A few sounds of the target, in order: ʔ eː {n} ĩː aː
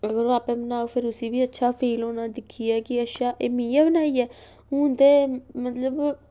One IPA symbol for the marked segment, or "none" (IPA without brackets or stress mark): m